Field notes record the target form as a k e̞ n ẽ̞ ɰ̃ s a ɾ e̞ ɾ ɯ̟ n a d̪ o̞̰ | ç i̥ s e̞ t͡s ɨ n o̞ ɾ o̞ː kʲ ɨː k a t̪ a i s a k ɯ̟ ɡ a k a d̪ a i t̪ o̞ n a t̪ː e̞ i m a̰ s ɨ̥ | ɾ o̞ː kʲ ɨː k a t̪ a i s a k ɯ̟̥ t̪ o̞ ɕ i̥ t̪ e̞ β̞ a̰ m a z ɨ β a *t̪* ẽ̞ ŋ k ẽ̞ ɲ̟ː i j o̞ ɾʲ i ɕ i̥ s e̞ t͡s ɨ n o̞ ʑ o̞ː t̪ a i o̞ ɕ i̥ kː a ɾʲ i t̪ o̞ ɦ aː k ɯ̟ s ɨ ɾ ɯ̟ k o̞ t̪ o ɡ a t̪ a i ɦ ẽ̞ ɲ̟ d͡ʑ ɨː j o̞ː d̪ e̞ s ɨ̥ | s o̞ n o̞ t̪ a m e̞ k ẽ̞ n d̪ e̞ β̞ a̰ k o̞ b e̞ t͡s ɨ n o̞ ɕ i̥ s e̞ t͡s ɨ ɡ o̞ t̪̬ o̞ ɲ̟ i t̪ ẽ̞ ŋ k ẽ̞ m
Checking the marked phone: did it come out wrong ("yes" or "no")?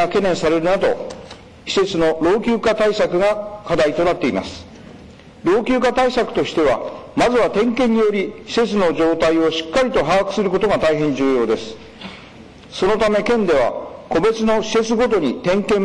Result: no